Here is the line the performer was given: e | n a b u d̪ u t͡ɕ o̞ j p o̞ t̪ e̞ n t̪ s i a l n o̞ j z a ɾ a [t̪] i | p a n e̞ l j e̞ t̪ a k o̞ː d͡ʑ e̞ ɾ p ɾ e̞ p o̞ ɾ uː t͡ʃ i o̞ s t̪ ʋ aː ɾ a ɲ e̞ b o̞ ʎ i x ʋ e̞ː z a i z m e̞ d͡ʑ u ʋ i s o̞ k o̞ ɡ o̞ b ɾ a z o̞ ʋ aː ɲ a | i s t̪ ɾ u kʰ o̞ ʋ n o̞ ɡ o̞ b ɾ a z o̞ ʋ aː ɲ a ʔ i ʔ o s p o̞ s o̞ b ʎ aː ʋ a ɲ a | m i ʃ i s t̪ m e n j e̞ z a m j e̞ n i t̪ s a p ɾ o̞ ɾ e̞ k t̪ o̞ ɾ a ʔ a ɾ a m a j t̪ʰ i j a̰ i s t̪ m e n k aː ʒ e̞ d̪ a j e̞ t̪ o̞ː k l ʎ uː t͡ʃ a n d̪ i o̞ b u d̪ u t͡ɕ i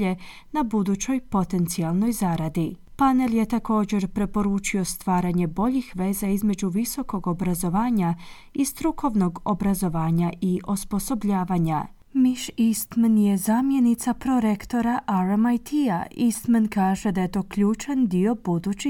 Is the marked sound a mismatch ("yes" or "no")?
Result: yes